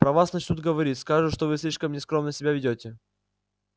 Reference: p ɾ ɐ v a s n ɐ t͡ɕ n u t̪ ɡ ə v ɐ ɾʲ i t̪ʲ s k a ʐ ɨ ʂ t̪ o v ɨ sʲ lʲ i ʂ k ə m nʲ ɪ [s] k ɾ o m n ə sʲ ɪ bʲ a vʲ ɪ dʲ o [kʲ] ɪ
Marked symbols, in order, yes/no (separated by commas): yes, no